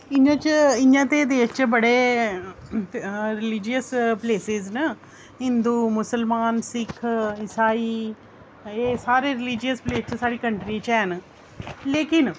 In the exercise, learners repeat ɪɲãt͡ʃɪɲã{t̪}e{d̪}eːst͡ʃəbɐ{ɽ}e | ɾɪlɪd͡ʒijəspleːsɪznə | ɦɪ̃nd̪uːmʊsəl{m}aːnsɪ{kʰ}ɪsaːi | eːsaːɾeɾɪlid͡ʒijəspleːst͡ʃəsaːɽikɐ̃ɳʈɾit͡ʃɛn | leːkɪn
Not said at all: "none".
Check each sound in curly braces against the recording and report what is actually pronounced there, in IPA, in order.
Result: t̪, d̪, ɽ, m, kʰ

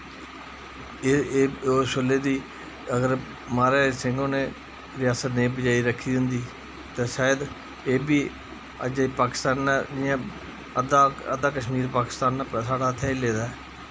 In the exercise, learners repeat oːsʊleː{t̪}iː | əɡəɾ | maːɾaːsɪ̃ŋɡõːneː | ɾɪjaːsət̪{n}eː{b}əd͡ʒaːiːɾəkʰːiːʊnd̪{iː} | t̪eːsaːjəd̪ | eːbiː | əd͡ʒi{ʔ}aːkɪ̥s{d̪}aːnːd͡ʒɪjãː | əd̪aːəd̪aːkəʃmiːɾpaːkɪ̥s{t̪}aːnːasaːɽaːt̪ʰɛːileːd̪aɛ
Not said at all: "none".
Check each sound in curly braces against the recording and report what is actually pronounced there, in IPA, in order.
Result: d̪, n, b, iː, p, t̪, t̪

